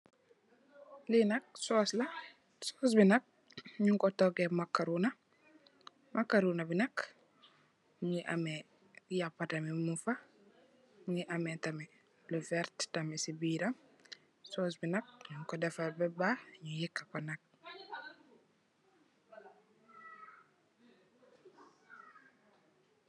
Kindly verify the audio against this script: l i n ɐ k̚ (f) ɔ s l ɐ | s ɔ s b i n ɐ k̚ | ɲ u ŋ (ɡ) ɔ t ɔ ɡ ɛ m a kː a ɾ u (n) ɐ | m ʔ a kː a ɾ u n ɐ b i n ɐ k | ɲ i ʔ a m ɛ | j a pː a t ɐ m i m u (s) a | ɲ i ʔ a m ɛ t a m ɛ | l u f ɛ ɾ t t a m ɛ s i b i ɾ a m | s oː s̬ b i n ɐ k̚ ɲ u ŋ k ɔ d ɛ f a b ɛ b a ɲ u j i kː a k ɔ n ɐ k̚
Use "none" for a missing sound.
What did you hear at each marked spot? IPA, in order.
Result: s, k, n, f

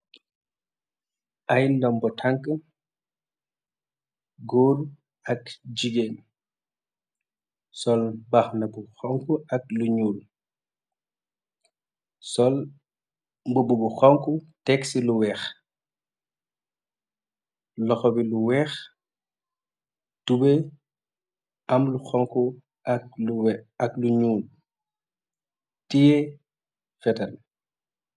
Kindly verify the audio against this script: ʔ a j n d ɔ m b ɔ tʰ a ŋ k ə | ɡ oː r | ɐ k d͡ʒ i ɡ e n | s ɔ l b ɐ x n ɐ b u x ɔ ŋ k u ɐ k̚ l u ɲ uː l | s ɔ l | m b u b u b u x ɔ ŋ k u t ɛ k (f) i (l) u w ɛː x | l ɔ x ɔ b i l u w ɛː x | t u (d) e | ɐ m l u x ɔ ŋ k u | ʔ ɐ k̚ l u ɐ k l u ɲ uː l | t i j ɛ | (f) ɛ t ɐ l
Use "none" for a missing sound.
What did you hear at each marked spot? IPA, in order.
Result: s, l, b, f

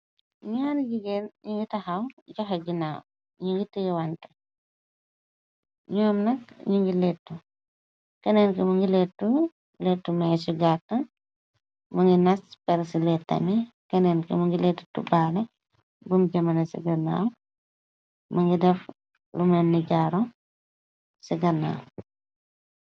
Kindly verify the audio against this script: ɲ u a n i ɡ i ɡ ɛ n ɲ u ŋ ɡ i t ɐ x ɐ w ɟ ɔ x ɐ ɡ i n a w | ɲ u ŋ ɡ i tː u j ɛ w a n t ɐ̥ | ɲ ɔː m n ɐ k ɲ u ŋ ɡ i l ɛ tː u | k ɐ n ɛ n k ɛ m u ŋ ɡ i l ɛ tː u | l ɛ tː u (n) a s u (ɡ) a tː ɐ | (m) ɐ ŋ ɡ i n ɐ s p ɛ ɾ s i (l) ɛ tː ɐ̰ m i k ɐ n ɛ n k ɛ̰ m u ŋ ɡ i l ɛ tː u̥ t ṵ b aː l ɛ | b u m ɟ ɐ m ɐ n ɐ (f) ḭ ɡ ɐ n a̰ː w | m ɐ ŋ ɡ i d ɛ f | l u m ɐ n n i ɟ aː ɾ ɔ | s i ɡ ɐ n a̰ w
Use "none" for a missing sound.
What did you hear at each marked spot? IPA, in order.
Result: m, ɡ, m, l, s

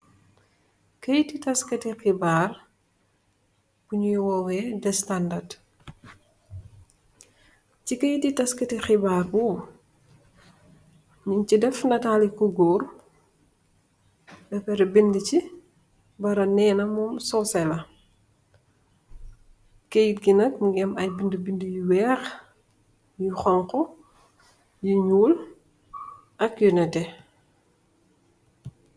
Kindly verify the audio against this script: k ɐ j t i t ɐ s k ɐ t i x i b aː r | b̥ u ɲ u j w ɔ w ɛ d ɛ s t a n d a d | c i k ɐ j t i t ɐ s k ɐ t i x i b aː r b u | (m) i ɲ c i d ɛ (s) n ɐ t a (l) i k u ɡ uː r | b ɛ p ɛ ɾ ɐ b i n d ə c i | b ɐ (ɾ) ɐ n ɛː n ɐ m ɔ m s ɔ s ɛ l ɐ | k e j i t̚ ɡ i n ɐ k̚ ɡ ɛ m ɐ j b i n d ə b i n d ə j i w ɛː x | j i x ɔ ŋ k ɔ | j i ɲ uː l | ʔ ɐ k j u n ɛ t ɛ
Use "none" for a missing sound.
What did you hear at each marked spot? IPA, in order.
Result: ɲ, f, l, ɾ

